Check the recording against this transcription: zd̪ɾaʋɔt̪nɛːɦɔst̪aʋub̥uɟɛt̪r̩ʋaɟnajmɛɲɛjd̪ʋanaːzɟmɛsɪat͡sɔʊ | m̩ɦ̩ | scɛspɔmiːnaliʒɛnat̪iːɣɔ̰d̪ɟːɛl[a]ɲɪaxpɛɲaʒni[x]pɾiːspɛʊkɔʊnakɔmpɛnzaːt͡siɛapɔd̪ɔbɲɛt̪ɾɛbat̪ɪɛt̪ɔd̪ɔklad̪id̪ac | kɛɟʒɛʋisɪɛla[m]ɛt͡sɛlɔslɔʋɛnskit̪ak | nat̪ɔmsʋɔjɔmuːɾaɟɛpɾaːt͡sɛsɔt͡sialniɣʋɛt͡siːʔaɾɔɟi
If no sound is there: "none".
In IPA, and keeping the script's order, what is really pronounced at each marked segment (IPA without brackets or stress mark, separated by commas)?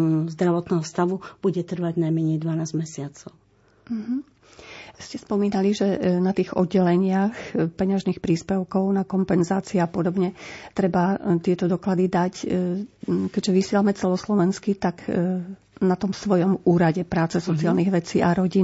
ɛ, x, m